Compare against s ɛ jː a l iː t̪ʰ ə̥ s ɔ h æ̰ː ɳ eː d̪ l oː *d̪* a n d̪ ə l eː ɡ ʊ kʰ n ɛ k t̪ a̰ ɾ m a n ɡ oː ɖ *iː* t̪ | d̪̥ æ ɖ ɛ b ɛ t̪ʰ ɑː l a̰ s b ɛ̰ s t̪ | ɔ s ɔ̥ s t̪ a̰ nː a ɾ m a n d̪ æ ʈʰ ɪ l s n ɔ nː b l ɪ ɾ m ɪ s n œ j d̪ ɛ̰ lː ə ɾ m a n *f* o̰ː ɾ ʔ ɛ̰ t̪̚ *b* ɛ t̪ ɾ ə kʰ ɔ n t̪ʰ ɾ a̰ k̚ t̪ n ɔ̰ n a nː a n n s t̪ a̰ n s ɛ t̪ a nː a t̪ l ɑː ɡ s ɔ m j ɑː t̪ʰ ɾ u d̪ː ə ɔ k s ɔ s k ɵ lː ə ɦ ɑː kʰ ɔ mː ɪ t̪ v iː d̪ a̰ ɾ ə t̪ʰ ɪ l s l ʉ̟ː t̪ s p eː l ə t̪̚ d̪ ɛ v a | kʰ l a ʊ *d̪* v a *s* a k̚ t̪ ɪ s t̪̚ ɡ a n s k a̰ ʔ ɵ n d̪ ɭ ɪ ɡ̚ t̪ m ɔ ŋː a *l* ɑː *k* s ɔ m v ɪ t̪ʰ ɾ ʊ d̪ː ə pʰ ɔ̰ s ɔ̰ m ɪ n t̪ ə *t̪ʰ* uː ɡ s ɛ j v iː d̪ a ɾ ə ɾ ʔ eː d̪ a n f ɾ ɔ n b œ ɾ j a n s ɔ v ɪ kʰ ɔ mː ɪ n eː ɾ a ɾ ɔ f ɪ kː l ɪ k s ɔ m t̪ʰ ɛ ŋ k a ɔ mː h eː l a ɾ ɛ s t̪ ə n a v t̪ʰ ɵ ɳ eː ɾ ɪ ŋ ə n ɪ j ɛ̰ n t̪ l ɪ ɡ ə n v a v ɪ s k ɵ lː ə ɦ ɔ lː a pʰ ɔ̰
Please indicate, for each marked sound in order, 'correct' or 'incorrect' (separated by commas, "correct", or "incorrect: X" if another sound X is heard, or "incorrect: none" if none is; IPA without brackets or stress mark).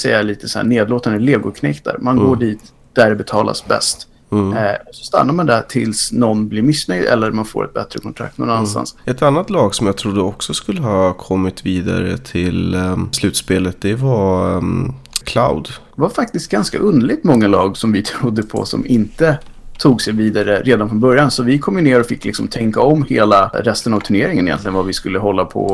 incorrect: t̪, correct, correct, correct, correct, incorrect: f, correct, incorrect: ɡ, correct